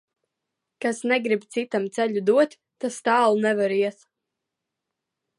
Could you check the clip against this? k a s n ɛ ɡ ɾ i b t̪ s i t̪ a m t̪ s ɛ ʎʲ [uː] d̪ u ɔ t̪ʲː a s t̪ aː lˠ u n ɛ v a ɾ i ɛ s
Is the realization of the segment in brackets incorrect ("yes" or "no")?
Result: yes